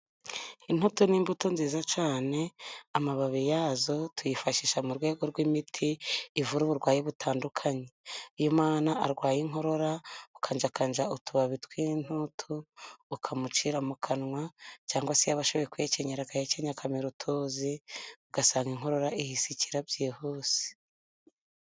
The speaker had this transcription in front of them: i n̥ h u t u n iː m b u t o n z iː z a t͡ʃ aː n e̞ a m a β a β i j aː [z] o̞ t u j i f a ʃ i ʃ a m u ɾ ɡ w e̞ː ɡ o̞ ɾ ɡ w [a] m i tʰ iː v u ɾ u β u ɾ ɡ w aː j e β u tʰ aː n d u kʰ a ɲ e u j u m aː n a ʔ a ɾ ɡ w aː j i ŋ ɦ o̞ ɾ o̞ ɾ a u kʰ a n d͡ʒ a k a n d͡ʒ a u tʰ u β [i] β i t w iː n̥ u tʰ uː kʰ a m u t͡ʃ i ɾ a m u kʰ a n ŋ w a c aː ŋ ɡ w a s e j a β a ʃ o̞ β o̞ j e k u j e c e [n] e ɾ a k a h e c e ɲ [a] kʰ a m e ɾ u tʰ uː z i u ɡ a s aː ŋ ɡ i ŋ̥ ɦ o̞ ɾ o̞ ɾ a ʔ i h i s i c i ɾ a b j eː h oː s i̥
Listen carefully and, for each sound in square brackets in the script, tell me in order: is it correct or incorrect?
correct, incorrect: i, incorrect: a, incorrect: ɲ, correct

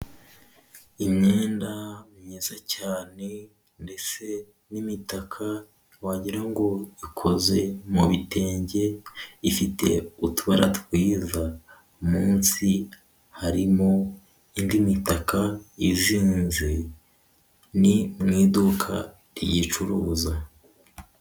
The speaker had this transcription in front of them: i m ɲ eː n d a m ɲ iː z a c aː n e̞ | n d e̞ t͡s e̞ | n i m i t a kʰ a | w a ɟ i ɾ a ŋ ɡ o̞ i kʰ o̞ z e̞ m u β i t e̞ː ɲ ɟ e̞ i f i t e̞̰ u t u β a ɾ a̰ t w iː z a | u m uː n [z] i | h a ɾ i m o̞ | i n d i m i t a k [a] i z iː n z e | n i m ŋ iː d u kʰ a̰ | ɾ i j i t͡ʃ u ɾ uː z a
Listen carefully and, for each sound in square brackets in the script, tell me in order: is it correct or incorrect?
incorrect: s, correct

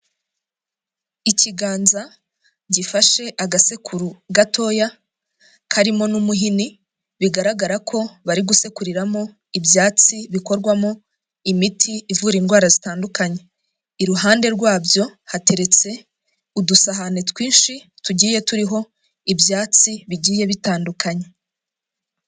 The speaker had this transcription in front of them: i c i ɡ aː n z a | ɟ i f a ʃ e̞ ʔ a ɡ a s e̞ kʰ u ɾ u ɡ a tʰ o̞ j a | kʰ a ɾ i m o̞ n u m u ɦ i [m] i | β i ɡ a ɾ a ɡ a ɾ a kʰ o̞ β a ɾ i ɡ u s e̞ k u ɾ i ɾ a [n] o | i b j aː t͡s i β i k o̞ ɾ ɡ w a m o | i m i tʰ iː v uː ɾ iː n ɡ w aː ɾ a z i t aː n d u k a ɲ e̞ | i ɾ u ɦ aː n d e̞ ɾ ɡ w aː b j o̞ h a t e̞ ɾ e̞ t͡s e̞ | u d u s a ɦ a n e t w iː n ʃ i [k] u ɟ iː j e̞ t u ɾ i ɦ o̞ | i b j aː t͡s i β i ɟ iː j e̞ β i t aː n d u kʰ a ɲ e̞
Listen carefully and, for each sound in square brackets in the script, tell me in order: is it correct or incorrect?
incorrect: n, incorrect: m, incorrect: t

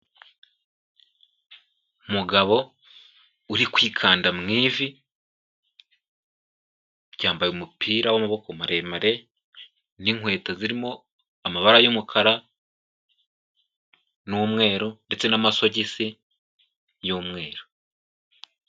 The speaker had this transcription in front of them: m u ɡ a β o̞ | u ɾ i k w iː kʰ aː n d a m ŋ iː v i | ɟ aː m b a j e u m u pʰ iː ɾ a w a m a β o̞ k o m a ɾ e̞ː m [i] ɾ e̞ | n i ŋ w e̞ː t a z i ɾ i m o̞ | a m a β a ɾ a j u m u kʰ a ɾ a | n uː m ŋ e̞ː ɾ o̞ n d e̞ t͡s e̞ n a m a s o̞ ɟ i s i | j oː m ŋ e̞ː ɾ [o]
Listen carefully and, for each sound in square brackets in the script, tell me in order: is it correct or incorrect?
incorrect: a, correct

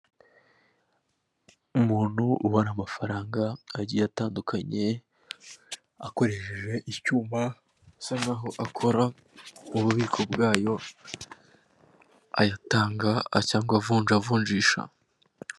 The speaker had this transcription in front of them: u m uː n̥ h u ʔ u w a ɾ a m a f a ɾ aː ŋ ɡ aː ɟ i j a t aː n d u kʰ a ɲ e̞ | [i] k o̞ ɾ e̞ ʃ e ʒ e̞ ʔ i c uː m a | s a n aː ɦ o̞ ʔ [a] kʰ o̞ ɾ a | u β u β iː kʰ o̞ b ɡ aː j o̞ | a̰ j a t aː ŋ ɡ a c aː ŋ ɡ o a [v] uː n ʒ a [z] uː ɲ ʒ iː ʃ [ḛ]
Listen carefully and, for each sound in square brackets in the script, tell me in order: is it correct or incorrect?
incorrect: a, correct, correct, incorrect: v, incorrect: a̰

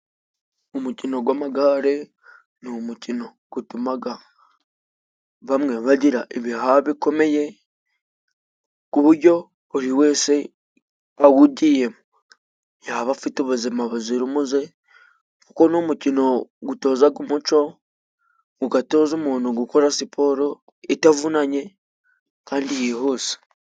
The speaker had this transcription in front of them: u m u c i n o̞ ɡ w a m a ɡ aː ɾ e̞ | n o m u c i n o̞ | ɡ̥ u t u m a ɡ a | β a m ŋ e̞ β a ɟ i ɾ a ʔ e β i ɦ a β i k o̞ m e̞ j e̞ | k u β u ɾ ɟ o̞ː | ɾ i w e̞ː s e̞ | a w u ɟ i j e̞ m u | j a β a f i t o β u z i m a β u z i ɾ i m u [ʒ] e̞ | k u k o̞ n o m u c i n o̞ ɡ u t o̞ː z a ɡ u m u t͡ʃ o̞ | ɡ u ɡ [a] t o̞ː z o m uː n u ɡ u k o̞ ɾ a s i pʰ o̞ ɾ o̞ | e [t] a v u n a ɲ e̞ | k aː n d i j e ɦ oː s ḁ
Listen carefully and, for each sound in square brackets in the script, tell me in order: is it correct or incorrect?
incorrect: z, correct, correct

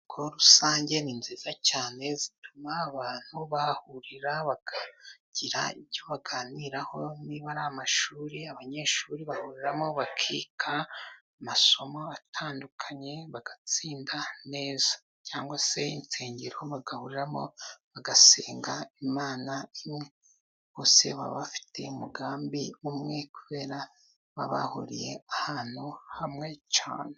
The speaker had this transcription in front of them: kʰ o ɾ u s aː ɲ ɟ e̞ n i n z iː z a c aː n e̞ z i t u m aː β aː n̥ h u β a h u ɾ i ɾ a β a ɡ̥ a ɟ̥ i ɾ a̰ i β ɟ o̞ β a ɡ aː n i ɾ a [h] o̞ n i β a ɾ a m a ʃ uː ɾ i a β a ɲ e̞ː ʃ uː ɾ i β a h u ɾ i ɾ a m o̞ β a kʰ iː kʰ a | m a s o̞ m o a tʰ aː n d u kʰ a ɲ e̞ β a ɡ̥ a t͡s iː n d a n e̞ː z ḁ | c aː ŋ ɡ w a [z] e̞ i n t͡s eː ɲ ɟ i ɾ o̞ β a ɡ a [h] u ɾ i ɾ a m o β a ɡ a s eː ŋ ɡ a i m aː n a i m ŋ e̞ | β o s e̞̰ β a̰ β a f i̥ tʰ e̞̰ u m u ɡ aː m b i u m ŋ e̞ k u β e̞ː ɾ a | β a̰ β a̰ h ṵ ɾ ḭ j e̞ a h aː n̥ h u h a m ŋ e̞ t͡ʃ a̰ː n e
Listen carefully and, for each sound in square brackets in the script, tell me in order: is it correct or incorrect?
correct, incorrect: s, correct

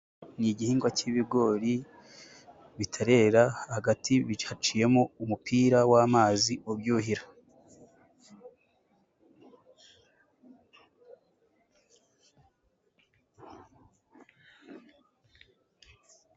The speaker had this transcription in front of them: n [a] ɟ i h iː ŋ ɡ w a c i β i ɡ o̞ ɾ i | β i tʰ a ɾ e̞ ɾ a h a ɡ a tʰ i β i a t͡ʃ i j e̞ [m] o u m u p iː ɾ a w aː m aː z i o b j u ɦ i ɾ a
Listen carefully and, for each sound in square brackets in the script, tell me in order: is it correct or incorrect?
incorrect: i, correct

